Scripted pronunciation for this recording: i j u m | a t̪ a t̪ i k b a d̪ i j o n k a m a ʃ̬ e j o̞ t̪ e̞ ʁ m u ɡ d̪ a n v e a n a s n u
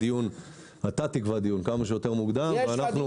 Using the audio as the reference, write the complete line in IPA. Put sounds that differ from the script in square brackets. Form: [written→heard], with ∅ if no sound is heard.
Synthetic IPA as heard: i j u [m→n] | a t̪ a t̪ i k [b→v] a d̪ i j [o→u] n k a m a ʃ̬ e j o̞ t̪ e̞ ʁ m u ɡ d̪ a [n→m] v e a n a [s→χ] n u